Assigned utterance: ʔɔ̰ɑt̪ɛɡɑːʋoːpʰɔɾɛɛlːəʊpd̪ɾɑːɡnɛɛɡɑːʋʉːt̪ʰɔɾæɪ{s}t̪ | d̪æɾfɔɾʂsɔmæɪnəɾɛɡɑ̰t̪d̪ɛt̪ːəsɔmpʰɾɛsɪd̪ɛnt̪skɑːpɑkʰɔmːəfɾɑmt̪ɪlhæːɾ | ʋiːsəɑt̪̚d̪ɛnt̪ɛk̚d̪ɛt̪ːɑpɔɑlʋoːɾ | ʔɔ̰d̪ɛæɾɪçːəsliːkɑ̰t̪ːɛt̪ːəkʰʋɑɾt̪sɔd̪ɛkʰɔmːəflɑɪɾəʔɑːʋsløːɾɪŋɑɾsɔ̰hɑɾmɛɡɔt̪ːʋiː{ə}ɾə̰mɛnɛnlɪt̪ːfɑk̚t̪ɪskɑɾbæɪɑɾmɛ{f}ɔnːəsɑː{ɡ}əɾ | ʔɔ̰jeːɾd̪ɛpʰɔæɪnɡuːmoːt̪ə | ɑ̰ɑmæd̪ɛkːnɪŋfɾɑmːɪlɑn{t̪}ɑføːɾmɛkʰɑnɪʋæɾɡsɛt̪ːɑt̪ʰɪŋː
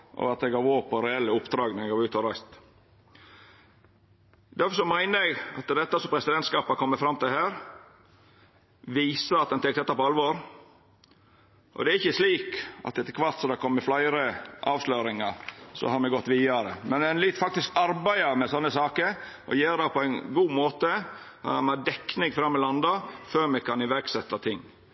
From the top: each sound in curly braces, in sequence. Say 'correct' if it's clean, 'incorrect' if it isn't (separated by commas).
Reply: correct, incorrect, incorrect, incorrect, incorrect